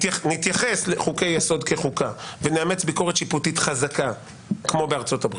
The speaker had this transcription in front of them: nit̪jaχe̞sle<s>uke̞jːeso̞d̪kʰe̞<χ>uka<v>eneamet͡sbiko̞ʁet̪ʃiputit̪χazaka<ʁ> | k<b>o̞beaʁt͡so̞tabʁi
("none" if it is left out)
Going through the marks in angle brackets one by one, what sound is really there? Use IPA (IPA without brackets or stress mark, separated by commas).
χ, χ, v, none, m